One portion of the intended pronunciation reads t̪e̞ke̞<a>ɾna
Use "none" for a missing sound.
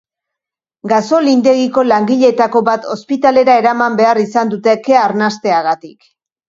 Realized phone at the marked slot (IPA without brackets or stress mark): a